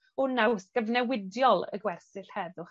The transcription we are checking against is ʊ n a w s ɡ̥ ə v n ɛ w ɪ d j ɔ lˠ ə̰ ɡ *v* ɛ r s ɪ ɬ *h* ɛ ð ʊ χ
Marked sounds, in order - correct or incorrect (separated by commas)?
incorrect, correct